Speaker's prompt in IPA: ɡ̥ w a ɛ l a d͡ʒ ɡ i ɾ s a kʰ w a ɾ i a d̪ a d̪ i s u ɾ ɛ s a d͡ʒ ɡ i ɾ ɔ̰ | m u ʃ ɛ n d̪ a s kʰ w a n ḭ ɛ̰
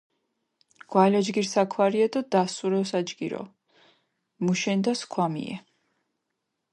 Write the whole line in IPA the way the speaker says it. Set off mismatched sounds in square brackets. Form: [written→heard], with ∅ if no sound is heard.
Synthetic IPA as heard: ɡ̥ w a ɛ l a d͡ʒ ɡ i ɾ s a kʰ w a ɾ i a d̪ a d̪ [i→a] s u ɾ ɛ s a d͡ʒ ɡ i ɾ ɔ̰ | m u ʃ ɛ n d̪ a s kʰ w a [n→m] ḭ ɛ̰